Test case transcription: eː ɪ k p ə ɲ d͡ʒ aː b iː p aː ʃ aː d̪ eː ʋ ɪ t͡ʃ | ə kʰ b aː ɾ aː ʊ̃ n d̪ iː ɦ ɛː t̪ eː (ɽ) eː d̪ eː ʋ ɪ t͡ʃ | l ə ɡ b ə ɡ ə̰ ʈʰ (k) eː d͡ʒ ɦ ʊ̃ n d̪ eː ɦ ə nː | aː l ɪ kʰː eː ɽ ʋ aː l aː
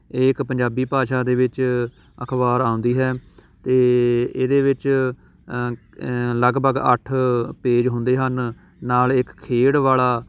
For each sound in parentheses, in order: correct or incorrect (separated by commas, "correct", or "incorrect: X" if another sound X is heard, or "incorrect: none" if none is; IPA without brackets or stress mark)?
incorrect: none, incorrect: p